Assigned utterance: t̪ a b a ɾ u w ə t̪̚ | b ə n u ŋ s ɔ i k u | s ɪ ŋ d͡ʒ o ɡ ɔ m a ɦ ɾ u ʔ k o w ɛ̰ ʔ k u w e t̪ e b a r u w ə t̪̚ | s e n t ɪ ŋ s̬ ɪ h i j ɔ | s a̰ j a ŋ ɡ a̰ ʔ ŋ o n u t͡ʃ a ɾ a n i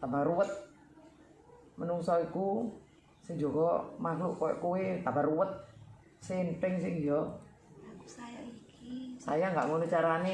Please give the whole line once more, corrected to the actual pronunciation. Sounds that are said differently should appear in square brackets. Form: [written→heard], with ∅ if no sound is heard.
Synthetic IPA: t̪ a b a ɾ u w ə t̪̚ | [b→m] ə n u ŋ s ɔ i k u | s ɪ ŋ d͡ʒ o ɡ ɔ m a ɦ [ɾ→l] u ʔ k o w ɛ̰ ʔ k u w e t̪ [e→a] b a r u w ə t̪̚ | s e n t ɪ ŋ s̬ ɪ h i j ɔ | s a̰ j a ŋ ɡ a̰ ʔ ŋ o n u t͡ʃ a ɾ a n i